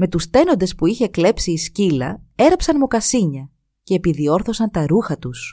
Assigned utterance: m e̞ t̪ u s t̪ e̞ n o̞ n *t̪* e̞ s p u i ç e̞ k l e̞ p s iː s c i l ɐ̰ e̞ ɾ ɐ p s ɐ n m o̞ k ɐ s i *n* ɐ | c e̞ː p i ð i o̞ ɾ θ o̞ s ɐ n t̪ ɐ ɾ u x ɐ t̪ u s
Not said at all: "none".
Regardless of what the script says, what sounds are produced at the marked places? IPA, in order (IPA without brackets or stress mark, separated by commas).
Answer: d̪, ɲ